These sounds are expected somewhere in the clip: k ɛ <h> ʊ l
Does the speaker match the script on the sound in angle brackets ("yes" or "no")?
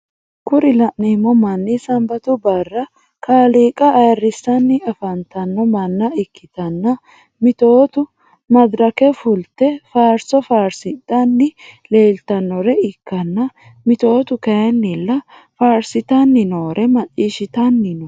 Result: no